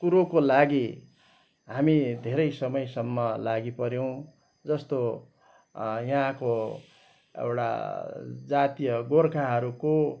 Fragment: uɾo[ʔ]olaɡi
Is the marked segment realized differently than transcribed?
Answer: yes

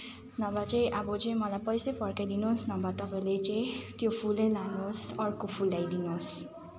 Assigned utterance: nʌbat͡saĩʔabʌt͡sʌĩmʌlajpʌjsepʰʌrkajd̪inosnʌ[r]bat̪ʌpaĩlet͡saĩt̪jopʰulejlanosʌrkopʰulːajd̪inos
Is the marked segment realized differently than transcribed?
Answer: yes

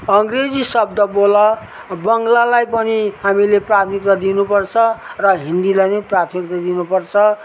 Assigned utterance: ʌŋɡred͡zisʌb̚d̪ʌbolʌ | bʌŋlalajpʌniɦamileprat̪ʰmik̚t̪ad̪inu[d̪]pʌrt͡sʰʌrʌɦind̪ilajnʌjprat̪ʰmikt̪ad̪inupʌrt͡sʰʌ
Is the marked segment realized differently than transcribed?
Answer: yes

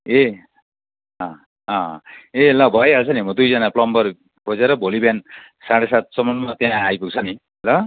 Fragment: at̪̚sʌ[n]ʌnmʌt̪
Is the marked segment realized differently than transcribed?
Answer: yes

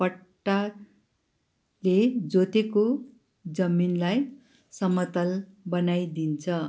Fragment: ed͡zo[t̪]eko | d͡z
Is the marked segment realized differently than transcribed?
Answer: no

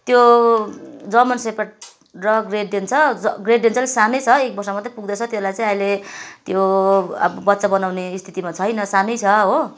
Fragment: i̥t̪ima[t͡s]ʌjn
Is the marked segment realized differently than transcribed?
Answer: yes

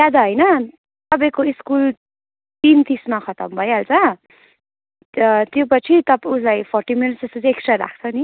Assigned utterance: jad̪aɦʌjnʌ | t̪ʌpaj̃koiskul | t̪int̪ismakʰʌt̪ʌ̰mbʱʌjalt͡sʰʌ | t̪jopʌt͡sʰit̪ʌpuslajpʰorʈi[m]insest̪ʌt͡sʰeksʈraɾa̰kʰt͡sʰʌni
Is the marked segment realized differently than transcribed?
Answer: no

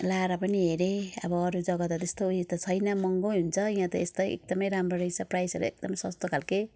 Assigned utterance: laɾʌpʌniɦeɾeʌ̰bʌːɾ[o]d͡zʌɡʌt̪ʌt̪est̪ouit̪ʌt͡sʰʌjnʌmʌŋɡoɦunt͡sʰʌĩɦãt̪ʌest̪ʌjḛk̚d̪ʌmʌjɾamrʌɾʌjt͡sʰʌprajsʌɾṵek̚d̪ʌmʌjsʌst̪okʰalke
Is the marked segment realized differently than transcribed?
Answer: yes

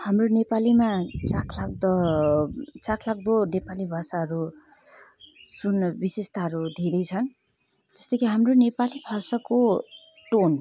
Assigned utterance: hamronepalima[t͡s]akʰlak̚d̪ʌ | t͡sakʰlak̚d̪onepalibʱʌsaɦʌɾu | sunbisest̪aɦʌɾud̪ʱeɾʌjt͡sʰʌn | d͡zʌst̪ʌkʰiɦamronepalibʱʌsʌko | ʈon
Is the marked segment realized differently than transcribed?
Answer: no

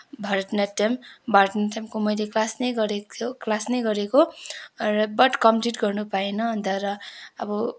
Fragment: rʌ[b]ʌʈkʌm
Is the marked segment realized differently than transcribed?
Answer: no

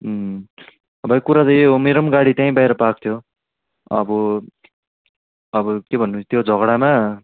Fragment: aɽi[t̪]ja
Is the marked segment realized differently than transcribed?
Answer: no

